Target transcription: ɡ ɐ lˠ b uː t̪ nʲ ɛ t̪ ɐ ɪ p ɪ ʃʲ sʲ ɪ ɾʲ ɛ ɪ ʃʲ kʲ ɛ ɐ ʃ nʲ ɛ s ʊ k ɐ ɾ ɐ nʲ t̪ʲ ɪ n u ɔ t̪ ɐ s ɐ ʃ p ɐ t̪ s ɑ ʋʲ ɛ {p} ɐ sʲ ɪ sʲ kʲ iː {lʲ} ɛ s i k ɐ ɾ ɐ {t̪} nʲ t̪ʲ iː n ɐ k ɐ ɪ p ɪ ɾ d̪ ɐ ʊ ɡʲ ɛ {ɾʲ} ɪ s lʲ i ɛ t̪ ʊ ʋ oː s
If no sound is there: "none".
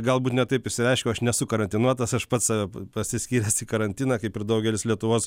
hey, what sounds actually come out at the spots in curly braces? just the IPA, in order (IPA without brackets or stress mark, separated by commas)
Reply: p, ɾʲ, none, lʲ